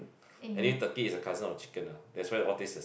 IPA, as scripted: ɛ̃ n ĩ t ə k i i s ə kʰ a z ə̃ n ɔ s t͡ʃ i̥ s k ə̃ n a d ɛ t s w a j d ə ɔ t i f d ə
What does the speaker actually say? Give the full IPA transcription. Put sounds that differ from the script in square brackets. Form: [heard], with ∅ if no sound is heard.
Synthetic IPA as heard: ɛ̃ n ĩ t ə k i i s ə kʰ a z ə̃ n ɔ [f] t͡ʃ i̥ [∅] k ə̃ n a d ɛ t s w a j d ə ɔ t i [s] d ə